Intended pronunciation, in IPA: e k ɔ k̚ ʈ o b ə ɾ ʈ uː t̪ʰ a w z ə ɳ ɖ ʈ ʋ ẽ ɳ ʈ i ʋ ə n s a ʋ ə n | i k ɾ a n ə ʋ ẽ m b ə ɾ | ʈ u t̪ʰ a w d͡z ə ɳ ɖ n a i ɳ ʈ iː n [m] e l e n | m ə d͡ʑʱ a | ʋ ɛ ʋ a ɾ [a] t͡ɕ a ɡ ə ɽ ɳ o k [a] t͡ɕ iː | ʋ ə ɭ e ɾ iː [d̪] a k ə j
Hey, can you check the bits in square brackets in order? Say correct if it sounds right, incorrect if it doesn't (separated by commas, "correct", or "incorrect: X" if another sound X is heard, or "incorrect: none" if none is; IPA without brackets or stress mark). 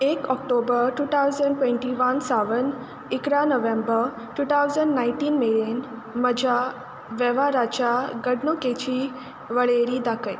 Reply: correct, correct, incorrect: e, correct